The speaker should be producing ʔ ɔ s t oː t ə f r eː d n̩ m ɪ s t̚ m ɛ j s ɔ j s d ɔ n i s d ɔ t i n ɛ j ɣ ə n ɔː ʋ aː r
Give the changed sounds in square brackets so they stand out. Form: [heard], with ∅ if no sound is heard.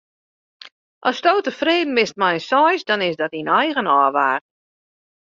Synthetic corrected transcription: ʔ ɔ s t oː t ə f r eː d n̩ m ɪ s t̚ m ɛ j s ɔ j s d ɔ n [ɪ] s d ɔ t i n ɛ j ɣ ə n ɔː ʋ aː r

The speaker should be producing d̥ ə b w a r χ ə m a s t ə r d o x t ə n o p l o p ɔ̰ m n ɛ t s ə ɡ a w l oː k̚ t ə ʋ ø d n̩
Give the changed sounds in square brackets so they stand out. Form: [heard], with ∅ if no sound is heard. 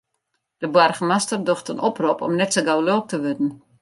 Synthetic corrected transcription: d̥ ə b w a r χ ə m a s t ə r d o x t ə n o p [r] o p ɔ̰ m n ɛ t s ə ɡ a w l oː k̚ t ə ʋ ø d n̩

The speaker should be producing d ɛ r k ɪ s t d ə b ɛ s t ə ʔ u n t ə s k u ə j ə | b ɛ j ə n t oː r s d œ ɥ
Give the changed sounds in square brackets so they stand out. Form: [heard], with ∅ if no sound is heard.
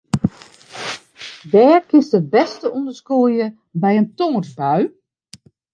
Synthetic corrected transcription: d [ɛː] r k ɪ s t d ə b ɛ s t ə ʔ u n [d] ə s k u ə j ə | b ɛ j ə n t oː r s [b] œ ɥ

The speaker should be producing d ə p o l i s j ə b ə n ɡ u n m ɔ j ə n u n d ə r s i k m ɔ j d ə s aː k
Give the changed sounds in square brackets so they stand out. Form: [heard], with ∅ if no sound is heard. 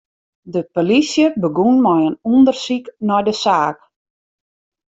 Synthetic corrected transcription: d ə p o l i s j ə b ə [∅] ɡ u n m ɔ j ə n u n d ə r s i k [n] ɔ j d ə s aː k

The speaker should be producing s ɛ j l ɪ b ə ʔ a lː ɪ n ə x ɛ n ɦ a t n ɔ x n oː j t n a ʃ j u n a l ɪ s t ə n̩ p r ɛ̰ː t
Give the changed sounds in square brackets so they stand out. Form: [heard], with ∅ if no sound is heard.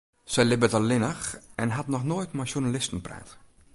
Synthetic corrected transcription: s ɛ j l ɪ b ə [t] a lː ɪ n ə x ɛ n ɦ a t n ɔ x n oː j t [m] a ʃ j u n a l ɪ s t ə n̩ p r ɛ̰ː t

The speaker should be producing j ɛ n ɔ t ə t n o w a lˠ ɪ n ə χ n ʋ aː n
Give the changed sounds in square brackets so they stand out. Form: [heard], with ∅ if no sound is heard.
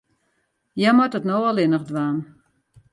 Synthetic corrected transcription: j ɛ [m] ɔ t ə t n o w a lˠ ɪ n ə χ [d] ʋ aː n

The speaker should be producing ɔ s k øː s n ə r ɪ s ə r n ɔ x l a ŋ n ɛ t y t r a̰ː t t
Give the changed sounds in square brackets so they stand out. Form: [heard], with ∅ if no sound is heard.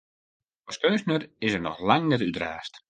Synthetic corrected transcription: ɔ s k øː s n ə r ɪ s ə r n ɔ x l a ŋ n ɛ t y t r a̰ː [s] t

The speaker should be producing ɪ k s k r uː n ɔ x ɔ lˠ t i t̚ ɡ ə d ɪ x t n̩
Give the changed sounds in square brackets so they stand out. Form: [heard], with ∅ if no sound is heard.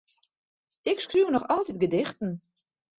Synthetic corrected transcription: ɪ k s k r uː n ɔ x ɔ lˠ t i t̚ ɡ ə d ɪ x t n̩

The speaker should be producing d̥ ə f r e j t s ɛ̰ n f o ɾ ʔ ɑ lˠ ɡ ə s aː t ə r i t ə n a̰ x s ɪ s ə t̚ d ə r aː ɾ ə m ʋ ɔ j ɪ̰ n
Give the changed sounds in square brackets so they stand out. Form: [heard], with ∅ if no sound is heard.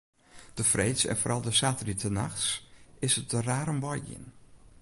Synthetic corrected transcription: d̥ ə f r e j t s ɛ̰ n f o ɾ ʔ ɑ lˠ [d] ə s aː t ə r i t ə n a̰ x s ɪ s ə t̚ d ə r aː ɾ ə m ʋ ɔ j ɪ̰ n

